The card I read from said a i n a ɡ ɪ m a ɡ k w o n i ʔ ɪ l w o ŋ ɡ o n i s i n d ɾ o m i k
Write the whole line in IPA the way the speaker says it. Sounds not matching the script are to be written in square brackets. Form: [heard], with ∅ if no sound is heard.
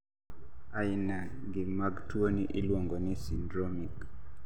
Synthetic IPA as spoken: a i n a ɡ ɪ m a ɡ [t] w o n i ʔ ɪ l w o ŋ ɡ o n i s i n d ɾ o m i k